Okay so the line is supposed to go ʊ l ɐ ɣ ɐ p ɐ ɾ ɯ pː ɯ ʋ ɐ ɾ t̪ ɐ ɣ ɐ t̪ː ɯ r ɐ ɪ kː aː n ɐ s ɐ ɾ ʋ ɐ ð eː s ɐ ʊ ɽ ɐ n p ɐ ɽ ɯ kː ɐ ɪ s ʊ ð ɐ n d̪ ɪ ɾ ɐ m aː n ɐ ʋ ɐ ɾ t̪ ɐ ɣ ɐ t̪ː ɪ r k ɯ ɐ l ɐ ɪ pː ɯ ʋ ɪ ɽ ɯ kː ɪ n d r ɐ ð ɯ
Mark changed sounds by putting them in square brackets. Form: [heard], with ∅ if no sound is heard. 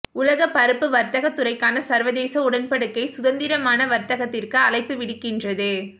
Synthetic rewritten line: ʊ l ɐ ɣ ɐ p ɐ ɾ ɯ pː ɯ ʋ ɐ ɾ t̪ ɐ ɣ ɐ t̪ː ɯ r ɐ ɪ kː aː n ɐ s ɐ ɾ ʋ ɐ ð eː s ɐ ʊ ɽ ɐ n p ɐ ɽ ɯ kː ɐ ɪ s ʊ ð ɐ n d̪ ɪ ɾ ɐ m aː n ɐ ʋ ɐ ɾ t̪ ɐ ɣ ɐ t̪ː ɪ r k ɯ ɐ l ɐ ɪ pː ɯ ʋ ɪ ɽ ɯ kː ɪ n d r ɐ ð ɯ